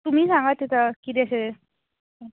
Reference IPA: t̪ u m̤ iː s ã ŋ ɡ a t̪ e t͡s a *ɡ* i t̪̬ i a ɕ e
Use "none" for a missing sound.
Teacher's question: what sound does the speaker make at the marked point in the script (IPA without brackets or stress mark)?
k